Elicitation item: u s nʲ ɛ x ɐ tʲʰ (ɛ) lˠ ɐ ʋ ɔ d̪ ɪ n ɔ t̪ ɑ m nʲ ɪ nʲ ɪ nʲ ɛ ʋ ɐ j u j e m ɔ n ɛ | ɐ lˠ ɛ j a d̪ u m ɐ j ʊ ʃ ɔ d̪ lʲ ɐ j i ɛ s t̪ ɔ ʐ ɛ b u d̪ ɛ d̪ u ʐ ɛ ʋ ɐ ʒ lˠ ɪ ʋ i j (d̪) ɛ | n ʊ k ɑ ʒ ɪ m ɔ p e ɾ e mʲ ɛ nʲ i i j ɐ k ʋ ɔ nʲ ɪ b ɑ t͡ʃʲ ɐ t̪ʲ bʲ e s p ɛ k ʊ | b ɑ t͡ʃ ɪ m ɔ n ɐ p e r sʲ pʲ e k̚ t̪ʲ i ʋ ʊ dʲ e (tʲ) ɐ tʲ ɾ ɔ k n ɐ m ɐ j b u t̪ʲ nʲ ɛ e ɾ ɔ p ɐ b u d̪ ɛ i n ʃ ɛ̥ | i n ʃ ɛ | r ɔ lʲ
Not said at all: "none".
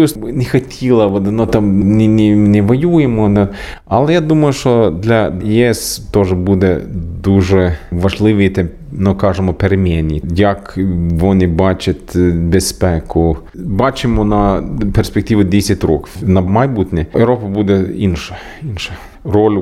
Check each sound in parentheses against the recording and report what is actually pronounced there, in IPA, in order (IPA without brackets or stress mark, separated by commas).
i, t̪, sʲ